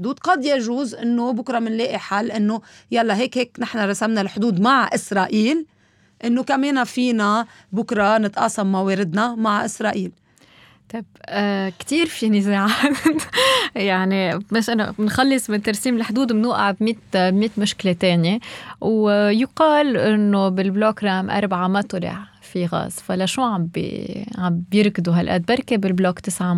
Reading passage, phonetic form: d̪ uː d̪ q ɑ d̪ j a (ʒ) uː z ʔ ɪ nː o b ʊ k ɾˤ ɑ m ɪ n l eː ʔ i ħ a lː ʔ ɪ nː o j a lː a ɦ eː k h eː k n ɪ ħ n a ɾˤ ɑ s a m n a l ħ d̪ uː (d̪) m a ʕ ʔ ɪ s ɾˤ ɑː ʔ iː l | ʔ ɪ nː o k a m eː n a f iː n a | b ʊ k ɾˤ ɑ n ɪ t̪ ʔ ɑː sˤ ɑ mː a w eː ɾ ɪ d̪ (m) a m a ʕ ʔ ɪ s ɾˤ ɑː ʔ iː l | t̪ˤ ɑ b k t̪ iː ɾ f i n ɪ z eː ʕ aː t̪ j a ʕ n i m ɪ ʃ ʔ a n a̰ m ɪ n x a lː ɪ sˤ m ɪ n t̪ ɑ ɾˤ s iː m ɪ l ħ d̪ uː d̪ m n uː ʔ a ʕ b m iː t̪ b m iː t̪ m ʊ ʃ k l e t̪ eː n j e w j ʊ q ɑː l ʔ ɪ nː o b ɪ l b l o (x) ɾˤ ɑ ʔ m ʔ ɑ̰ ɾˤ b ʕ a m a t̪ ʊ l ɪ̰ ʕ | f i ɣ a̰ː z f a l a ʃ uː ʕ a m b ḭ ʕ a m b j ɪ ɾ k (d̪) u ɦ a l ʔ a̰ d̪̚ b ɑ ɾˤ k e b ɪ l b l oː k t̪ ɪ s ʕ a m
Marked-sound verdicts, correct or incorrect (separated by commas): correct, correct, incorrect, incorrect, correct